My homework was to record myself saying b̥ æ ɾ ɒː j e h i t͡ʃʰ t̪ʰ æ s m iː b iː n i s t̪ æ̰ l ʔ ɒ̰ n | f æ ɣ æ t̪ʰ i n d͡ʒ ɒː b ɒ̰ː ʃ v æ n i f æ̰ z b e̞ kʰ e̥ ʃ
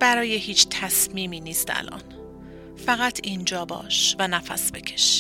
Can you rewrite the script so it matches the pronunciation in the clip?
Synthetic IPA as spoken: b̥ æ ɾ ɒː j e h iː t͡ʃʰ t̪ʰ æ s m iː m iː n iː s t̪ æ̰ l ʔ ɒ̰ n | f æ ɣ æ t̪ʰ i n d͡ʒ ɒː b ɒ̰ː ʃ v æ n æ f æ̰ s b e̞ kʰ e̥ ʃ